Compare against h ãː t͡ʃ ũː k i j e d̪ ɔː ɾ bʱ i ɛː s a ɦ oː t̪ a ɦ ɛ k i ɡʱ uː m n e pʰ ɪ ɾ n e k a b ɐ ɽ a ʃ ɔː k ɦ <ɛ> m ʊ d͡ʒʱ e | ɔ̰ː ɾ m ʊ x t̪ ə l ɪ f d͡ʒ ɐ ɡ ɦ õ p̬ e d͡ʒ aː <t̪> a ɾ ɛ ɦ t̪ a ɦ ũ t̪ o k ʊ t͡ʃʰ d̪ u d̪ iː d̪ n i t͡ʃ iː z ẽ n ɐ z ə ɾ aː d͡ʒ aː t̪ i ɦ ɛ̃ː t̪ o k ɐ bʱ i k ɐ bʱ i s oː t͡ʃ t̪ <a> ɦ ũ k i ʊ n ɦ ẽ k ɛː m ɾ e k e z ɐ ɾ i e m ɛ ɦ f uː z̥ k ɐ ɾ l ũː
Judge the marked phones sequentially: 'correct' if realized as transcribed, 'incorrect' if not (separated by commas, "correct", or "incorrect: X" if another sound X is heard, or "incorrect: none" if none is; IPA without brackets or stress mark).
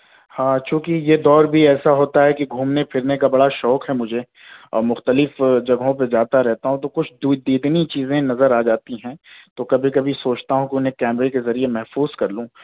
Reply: correct, correct, correct